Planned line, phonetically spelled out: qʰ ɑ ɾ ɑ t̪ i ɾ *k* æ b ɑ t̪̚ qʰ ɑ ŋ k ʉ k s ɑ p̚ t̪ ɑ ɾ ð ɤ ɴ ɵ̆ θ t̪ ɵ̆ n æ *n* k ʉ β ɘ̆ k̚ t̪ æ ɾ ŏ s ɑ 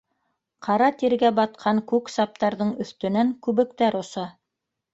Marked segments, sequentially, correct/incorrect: incorrect: ɡ, incorrect: ŋ

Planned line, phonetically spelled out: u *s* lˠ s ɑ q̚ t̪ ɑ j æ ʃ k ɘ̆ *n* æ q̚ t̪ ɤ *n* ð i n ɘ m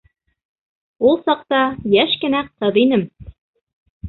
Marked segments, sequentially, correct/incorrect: incorrect: none, correct, incorrect: none

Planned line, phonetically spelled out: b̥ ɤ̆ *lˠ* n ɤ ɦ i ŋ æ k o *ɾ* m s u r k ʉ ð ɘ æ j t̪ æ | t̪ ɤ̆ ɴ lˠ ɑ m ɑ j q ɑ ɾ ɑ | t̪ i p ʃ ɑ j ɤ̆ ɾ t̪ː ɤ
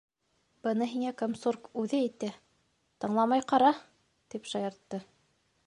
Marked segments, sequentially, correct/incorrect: incorrect: none, incorrect: none

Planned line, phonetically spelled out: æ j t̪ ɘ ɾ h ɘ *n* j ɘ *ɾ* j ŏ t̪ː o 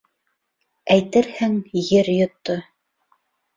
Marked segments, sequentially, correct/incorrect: incorrect: ŋ, correct

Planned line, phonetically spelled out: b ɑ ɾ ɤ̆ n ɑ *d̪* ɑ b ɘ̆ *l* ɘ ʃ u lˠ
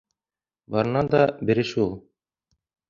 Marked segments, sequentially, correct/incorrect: correct, incorrect: ɾ

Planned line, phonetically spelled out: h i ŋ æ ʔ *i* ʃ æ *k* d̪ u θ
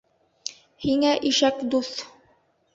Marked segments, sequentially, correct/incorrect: correct, correct

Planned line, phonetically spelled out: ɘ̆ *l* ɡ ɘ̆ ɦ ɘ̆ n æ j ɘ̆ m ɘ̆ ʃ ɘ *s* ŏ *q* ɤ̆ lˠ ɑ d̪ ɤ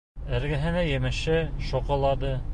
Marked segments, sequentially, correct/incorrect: incorrect: ɾ, incorrect: ʃ, correct

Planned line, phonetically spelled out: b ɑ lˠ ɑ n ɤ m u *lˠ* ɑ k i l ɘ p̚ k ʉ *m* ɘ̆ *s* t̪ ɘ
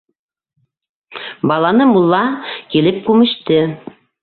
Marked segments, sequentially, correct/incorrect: incorrect: lˠː, correct, incorrect: ʃ

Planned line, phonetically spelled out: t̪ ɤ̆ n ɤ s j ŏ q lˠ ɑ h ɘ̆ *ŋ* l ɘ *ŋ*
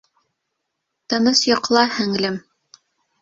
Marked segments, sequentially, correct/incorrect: correct, incorrect: m

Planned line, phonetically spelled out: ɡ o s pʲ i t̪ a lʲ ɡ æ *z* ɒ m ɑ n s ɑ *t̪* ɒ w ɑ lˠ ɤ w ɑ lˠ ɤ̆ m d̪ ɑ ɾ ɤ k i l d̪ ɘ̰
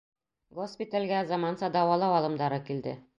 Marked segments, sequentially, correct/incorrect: correct, incorrect: d̪

